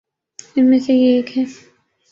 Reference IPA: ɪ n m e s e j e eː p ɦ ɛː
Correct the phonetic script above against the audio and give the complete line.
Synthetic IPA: ɪ n m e s e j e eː k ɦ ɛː